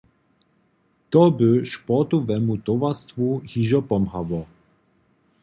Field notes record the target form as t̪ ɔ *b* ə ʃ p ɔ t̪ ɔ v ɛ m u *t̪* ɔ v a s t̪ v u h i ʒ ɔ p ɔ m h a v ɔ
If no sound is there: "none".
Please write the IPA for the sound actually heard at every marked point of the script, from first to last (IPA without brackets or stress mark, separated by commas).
b, t̪